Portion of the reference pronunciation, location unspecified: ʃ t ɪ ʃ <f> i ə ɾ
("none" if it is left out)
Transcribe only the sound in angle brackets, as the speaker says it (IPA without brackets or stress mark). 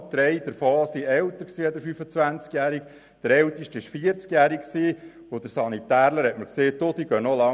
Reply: f